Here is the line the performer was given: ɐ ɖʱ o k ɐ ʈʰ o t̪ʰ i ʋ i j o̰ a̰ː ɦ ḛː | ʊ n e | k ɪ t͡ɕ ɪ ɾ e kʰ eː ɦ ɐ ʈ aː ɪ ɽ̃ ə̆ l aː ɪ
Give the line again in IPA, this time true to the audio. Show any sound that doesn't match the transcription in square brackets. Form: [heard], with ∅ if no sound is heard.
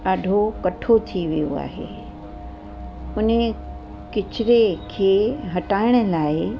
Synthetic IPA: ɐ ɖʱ o k ɐ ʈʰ o t̪ʰ i ʋ i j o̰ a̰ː ɦ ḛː | ʊ n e | k ɪ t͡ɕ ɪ ɾ e kʰ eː ɦ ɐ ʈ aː ɪ ɽ̃ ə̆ l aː ɪ

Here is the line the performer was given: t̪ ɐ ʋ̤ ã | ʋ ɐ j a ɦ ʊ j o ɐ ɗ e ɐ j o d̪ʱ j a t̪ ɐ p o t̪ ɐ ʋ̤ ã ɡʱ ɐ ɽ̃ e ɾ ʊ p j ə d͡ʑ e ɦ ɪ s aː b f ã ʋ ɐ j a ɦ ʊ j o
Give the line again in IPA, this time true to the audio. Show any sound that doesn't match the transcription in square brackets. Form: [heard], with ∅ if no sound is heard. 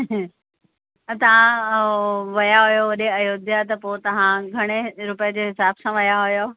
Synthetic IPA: t̪ ɐ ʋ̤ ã | ʋ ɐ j a ɦ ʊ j o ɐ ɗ e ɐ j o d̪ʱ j a t̪ ɐ p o t̪ ɐ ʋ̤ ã ɡʱ ɐ ɽ̃ e ɾ ʊ p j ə d͡ʑ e ɦ ɪ s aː b [s] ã ʋ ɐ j a ɦ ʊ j o

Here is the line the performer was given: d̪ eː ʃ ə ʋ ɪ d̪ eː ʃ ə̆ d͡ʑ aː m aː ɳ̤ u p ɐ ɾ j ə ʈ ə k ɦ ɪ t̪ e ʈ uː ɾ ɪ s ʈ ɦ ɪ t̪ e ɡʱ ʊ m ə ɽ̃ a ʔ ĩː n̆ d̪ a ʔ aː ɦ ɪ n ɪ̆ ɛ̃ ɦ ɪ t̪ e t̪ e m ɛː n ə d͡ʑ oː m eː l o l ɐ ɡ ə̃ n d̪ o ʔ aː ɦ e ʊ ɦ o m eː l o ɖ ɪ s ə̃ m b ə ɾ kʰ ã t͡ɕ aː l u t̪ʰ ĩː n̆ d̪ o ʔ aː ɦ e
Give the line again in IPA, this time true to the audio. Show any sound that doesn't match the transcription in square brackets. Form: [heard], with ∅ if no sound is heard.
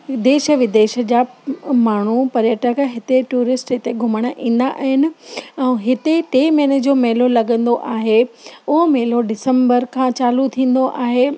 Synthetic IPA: d̪ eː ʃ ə ʋ ɪ d̪ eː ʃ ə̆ d͡ʑ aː m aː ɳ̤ u p ɐ ɾ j ə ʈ ə k ɦ ɪ t̪ e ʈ uː ɾ ɪ s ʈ ɦ ɪ t̪ e ɡʱ ʊ m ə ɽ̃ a ʔ ĩː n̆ d̪ a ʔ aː ɦ ɪ n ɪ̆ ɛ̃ ɦ ɪ t̪ e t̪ e m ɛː n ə d͡ʑ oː m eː l o l ɐ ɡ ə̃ n d̪ o ʔ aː ɦ e ʊ ɦ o m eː l o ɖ ɪ s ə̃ m b ə ɾ kʰ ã t͡ɕ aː l u t̪ʰ ĩː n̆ d̪ o ʔ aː ɦ e

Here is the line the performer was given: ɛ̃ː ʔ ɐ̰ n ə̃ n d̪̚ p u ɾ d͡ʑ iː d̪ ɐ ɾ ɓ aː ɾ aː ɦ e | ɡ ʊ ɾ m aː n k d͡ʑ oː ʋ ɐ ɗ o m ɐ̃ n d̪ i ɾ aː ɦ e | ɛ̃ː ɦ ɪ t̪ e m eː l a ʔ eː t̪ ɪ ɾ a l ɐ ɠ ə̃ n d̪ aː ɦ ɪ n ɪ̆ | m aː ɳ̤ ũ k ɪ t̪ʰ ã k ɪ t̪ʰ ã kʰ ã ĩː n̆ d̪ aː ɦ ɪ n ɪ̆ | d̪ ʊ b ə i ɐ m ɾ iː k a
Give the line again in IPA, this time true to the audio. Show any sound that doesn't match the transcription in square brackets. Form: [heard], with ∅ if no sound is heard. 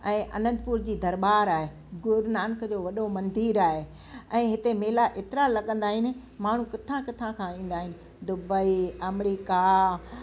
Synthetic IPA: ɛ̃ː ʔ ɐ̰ n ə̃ n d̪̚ p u ɾ d͡ʑ iː d̪ ɐ ɾ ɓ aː ɾ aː ɦ e | ɡ ʊ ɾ [n] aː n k d͡ʑ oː ʋ ɐ ɗ o m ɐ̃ n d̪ [iː] ɾ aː ɦ e | ɛ̃ː ɦ ɪ t̪ e m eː l a ʔ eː t̪ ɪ ɾ a l ɐ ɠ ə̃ n d̪ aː ɦ ɪ n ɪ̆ | m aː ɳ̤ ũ k ɪ t̪ʰ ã k ɪ t̪ʰ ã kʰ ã ĩː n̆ d̪ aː ɦ ɪ n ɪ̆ | d̪ ʊ b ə i ɐ m ɾ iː k a

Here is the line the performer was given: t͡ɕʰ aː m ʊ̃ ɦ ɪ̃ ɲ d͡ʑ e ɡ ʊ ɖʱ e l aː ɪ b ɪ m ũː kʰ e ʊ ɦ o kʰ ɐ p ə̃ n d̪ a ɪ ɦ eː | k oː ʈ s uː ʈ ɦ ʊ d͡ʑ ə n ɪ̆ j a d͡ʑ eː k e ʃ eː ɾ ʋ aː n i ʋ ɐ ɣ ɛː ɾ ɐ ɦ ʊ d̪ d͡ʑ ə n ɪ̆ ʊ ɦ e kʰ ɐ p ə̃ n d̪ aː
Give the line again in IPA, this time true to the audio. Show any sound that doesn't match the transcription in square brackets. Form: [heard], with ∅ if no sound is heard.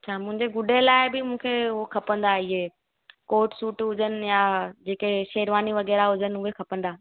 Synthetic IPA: t͡ɕʰ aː m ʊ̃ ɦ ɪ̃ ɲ d͡ʑ e ɡ ʊ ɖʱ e l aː ɪ b ɪ m ũː kʰ e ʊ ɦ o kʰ ɐ p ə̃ n d̪ a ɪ ɦ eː | k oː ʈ s uː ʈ ɦ ʊ d͡ʑ ə n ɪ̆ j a d͡ʑ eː k e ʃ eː ɾ ʋ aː n i ʋ ɐ ɣ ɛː ɾ [a] ɦ ʊ [∅] d͡ʑ ə n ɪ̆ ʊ ɦ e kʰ ɐ p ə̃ n d̪ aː

